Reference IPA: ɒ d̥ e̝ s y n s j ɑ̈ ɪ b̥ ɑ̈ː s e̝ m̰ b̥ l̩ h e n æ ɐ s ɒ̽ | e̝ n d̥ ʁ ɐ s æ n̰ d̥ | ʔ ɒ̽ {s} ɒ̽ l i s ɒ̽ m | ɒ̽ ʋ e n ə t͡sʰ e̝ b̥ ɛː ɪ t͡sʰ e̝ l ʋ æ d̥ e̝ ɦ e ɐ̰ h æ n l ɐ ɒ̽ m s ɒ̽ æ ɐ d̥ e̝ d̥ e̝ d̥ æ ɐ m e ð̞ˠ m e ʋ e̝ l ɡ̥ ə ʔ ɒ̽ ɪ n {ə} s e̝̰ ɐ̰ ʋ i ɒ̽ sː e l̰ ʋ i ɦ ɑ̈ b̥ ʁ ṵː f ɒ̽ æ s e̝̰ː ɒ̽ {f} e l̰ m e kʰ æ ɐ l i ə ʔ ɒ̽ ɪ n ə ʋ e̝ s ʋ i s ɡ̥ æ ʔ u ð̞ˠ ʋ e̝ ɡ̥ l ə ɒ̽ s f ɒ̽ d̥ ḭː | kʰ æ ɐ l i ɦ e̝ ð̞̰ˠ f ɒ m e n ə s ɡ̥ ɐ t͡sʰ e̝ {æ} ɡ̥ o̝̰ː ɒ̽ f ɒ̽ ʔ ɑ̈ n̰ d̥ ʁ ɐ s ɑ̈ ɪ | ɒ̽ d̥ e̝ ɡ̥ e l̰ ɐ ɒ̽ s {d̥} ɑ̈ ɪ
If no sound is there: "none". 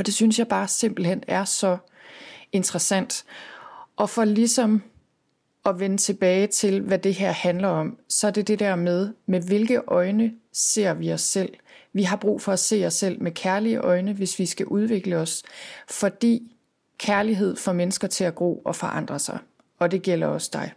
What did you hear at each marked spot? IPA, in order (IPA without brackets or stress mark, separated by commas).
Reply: f, ə, s, æ, d̥